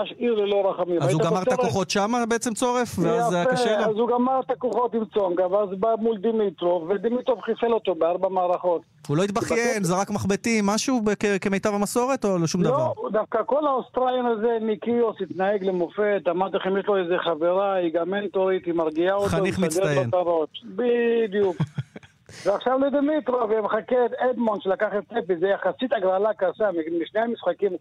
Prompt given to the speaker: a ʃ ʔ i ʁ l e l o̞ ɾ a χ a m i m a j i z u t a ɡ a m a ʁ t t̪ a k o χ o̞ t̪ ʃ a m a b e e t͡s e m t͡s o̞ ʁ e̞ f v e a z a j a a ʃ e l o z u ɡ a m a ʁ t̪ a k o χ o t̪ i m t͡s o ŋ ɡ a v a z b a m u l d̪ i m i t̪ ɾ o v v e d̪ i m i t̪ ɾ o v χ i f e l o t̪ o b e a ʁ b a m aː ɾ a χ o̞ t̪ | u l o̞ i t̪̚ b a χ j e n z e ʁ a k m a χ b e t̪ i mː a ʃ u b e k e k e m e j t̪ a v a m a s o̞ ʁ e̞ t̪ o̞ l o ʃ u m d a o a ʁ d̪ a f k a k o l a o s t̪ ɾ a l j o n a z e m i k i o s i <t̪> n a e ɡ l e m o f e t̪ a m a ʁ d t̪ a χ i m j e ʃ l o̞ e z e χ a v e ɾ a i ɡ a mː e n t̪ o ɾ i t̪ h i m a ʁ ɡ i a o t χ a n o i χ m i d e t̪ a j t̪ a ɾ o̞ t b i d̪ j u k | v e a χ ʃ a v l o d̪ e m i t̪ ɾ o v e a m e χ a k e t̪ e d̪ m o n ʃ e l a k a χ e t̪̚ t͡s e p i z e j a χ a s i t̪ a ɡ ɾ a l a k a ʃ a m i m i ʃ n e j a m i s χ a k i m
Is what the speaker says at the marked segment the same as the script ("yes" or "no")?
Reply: yes